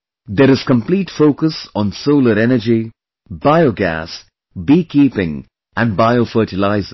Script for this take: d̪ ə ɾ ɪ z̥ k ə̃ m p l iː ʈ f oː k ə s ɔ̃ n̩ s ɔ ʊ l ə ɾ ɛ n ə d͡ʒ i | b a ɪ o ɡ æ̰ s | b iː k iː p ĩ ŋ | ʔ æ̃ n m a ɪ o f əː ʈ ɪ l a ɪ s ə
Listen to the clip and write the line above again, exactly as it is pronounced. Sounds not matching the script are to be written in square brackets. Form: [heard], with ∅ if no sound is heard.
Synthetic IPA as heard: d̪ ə ɾ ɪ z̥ k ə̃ m p l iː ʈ f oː k ə s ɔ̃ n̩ s [o] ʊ l ə ɾ ɛ n ə d͡ʒ i | b a ɪ o ɡ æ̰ s | b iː k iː p [ɪ̃] ŋ | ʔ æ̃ n [b] a ɪ o f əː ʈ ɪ l a ɪ [z] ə